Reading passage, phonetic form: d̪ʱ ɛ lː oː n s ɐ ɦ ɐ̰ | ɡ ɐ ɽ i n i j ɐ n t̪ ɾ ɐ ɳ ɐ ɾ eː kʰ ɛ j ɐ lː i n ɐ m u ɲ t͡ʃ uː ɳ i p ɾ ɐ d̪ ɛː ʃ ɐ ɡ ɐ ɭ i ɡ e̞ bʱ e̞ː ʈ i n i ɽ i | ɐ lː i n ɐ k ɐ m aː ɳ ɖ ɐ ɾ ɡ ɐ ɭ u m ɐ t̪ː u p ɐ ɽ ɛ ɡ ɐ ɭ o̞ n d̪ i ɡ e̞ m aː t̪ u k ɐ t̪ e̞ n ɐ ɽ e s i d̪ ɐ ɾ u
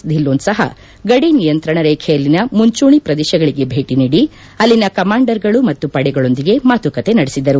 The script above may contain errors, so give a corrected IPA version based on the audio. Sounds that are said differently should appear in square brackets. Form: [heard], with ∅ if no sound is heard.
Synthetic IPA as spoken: d̪ʱ [i] lː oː n s ɐ ɦ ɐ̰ | ɡ ɐ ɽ i n i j ɐ n t̪ ɾ ɐ ɳ ɐ ɾ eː kʰ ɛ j ɐ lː i n ɐ m u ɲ t͡ʃ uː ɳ i p ɾ ɐ d̪ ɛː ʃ ɐ ɡ ɐ ɭ i ɡ e̞ bʱ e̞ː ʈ i n [iː] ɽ i | ɐ lː i n ɐ k ɐ m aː ɳ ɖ ɐ ɾ ɡ ɐ ɭ u m ɐ t̪ː u p ɐ ɽ ɛ ɡ ɐ ɭ o̞ n d̪ i ɡ e̞ m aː t̪ u k ɐ t̪ e̞ n ɐ ɽ e s i d̪ ɐ ɾ u

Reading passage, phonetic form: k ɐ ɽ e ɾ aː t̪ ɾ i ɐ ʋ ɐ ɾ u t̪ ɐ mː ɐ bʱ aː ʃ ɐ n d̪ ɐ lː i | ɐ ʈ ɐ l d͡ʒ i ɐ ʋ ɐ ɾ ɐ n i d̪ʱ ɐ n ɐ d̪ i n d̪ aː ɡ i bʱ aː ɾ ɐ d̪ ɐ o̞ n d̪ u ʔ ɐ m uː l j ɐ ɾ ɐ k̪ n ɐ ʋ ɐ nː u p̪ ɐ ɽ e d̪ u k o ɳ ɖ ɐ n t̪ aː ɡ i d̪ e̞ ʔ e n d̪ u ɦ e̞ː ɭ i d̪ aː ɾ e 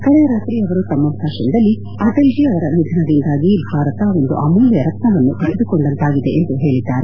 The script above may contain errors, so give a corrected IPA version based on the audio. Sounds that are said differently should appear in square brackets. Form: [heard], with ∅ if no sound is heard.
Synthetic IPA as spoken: k ɐ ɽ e ɾ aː t̪ ɾ i ɐ ʋ ɐ ɾ u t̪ ɐ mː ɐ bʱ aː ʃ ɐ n d̪ ɐ lː i | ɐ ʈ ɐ l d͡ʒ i ɐ ʋ ɐ ɾ ɐ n i d̪ʱ ɐ n ɐ d̪ i n d̪ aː ɡ i bʱ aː ɾ ɐ [t̪] ɐ o̞ n d̪ u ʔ ɐ m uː l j ɐ ɾ ɐ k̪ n ɐ ʋ ɐ nː u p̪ ɐ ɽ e d̪ u k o ɳ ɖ ɐ n t̪ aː ɡ i d̪ e̞ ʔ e n d̪ u ɦ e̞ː ɭ i [d̪ː] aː ɾ e

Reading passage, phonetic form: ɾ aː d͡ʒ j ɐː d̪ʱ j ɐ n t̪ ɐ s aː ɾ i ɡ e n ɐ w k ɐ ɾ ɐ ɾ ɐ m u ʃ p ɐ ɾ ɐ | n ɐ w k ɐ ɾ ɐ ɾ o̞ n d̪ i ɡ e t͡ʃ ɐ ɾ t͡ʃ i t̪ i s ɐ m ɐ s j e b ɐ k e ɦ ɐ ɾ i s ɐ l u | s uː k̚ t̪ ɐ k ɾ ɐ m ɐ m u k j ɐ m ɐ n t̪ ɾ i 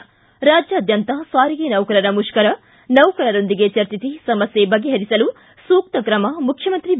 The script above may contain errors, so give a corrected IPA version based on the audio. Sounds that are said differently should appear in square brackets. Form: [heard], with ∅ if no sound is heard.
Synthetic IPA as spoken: ɾ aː d͡ʒ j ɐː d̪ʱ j ɐ n t̪ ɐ s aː ɾ i ɡ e n ɐ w k ɐ ɾ ɐ ɾ ɐ m u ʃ [k] ɐ ɾ ɐ | n ɐ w k ɐ ɾ ɐ ɾ o̞ n d̪ i ɡ e t͡ʃ ɐ ɾ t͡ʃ i t̪ i s ɐ m ɐ s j e b ɐ [ɡ] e ɦ ɐ ɾ i s ɐ l u | s uː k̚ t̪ ɐ k ɾ ɐ m ɐ m u [kʰ] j ɐ m ɐ n t̪ ɾ i

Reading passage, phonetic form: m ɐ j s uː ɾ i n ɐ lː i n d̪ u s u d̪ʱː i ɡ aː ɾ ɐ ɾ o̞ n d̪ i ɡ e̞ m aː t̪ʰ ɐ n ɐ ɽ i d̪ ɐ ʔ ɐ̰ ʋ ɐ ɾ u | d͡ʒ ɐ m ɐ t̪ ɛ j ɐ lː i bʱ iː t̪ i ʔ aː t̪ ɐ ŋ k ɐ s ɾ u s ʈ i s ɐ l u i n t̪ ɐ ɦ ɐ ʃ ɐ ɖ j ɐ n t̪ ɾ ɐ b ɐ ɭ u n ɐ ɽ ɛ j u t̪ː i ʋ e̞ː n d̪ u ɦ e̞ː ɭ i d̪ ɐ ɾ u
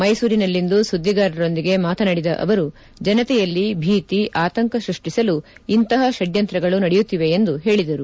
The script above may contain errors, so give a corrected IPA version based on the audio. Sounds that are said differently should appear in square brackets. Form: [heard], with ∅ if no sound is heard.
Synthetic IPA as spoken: m ɐ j s uː ɾ i n ɐ lː i n d̪ u s u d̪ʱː i ɡ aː ɾ ɐ ɾ o̞ n d̪ i ɡ e̞ m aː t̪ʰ ɐ n ɐ ɽ i d̪ ɐ ʔ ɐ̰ ʋ ɐ ɾ u | d͡ʒ ɐ [n] ɐ t̪ ɛ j ɐ lː i bʱ iː t̪ i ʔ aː t̪ ɐ ŋ k ɐ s ɾ u [ʂ] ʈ i s ɐ l u i n t̪ ɐ ɦ ɐ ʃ ɐ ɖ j ɐ n t̪ ɾ ɐ [ɡ] ɐ ɭ u n ɐ ɽ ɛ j u t̪ː i ʋ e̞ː n d̪ u ɦ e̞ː ɭ i d̪ ɐ ɾ u

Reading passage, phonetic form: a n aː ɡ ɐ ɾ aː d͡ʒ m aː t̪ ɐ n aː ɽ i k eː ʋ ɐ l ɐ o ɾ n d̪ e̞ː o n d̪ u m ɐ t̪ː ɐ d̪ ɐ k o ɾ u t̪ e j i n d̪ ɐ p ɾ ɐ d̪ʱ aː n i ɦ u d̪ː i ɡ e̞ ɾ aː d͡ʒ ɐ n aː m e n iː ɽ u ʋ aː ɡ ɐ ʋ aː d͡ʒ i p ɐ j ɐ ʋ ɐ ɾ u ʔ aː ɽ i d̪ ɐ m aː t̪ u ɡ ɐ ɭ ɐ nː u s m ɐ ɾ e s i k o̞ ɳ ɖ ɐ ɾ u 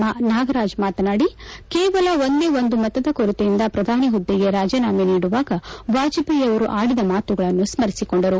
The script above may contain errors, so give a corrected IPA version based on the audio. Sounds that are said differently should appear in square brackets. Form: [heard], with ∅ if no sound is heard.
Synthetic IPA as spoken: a n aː ɡ ɐ ɾ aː d͡ʒ m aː t̪ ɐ n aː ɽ i k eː ʋ ɐ l ɐ o [∅] n d̪ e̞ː o n d̪ u m ɐ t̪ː ɐ d̪ ɐ k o ɾ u t̪ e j i n d̪ ɐ p ɾ ɐ d̪ʱ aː n i ɦ u d̪ː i ɡ e̞ ɾ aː d͡ʒ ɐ n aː m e n iː ɽ u ʋ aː ɡ ɐ ʋ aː d͡ʒ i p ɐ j ɐ ʋ ɐ ɾ u ʔ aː ɽ i d̪ ɐ m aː t̪ u ɡ ɐ ɭ ɐ nː u s m ɐ ɾ [i] s i k o̞ ɳ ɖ ɐ ɾ u

